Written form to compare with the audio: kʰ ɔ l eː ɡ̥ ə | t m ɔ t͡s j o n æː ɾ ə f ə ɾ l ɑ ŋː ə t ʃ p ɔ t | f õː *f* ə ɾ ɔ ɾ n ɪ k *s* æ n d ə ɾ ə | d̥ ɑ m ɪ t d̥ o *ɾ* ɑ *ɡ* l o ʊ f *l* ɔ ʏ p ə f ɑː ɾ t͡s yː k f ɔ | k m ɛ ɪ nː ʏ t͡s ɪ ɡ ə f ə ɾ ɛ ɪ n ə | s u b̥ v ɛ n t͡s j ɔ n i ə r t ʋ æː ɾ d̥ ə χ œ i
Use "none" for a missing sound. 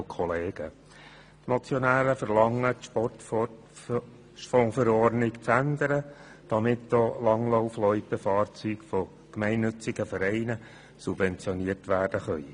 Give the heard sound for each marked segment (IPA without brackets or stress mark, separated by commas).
f, t͡s, l, ŋ, l